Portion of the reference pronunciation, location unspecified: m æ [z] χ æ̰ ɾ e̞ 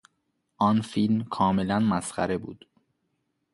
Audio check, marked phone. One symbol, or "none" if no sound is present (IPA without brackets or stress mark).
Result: s